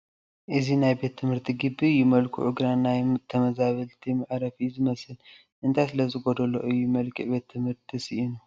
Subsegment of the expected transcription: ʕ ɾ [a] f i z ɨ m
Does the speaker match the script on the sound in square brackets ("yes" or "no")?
no